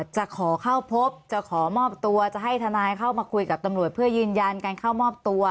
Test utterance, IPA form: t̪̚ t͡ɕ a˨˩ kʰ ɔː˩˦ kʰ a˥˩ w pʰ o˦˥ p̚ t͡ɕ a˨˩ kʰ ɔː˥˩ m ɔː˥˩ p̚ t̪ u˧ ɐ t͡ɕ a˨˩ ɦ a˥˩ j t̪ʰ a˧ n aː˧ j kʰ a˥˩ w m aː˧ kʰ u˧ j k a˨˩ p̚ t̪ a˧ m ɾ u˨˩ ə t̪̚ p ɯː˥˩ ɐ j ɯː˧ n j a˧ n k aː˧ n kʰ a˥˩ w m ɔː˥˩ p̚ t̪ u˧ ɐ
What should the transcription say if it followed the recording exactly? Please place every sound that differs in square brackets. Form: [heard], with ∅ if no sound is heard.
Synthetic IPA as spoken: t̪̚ t͡ɕ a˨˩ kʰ ɔː˩˦ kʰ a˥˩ w pʰ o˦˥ p̚ t͡ɕ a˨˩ kʰ [ɔː˩˦] m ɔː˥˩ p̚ t̪ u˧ ɐ t͡ɕ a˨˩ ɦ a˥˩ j t̪ʰ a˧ n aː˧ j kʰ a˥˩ w m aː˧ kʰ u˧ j k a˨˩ p̚ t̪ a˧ m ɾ u˨˩ ə t̪̚ [pʰ] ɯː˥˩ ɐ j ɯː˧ n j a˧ n k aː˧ n kʰ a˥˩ w m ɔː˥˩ p̚ t̪ u˧ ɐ